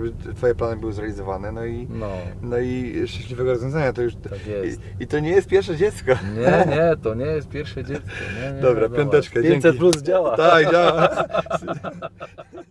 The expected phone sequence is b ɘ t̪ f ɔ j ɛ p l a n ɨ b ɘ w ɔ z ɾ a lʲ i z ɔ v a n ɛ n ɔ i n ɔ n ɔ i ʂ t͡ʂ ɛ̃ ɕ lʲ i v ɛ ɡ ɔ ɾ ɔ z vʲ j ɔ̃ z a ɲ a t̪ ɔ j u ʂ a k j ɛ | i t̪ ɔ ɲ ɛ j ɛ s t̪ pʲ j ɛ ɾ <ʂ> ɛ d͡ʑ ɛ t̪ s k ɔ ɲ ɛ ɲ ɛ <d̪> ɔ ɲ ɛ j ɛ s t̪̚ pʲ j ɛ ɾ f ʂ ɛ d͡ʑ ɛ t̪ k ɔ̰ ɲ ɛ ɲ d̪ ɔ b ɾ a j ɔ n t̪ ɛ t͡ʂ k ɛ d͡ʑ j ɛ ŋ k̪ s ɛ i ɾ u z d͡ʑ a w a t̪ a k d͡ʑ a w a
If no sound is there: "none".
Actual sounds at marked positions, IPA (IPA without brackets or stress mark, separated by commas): ʂ, t̪